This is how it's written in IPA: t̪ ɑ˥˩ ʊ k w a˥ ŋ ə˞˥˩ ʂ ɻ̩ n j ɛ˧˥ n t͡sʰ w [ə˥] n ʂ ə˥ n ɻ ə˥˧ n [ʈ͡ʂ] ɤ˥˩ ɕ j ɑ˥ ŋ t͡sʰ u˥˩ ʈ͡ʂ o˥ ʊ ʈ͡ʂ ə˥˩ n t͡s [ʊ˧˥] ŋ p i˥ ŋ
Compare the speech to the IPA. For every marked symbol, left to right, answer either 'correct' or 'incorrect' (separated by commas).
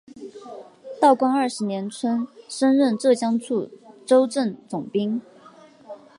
correct, correct, incorrect